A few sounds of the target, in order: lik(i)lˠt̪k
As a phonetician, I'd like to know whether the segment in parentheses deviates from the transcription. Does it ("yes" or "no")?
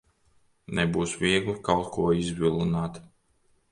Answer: yes